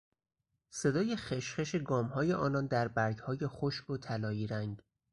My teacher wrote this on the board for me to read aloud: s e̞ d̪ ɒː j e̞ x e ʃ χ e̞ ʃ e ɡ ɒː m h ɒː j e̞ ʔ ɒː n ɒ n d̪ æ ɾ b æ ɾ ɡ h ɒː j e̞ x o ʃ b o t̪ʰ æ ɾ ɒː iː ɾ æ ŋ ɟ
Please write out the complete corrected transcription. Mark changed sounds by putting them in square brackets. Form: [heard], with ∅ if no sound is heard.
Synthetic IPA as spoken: s e̞ d̪ ɒː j e̞ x e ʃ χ e̞ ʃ e ɡ ɒː m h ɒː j e̞ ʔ ɒː n ɒ n d̪ æ ɾ b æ ɾ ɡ h ɒː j e̞ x o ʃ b o t̪ʰ æ [l] ɒː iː ɾ æ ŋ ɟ